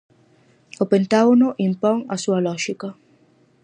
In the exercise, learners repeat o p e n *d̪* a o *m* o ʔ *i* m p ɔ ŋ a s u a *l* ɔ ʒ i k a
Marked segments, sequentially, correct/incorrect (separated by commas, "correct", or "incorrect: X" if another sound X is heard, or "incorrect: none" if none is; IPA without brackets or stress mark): incorrect: t̪, incorrect: n, correct, correct